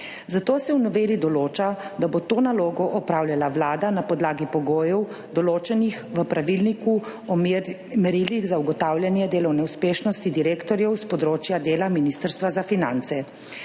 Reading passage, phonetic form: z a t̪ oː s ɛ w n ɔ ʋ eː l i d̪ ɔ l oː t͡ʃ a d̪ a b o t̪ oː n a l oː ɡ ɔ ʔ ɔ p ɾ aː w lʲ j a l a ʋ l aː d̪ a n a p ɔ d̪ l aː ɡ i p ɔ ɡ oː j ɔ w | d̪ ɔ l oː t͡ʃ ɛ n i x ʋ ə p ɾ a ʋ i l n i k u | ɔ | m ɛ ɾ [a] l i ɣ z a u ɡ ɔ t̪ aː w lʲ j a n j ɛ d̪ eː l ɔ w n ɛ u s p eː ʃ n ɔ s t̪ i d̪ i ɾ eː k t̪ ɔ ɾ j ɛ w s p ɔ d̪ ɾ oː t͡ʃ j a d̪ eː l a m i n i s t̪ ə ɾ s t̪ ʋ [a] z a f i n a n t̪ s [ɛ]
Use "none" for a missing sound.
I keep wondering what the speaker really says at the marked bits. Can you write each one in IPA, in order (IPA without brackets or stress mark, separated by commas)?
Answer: i, a, ɛ